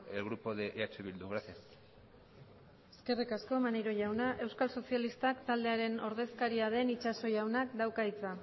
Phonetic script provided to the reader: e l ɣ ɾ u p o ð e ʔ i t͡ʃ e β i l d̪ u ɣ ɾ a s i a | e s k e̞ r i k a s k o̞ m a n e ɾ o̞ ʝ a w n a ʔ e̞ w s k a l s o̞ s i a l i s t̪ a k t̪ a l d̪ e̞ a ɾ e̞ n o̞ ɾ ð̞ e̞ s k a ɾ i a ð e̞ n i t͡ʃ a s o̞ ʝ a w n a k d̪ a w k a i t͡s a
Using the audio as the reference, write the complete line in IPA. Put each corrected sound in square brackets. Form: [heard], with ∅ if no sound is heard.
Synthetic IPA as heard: e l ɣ ɾ u p o ð e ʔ [a] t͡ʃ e β i l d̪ u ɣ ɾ a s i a | e s k e̞ r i k a s k o̞ m a n e ɾ o̞ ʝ a w n a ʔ e̞ w s k a l s o̞ s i a l i s t̪ a k t̪ a l d̪ e̞ a ɾ e̞ n o̞ ɾ ð̞ e̞ s k a ɾ i a ð e̞ n i t͡ʃ a s o̞ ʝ a w n a k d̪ a w k a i t͡s a